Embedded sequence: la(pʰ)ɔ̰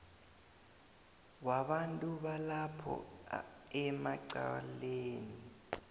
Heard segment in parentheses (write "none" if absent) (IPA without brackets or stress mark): pʰ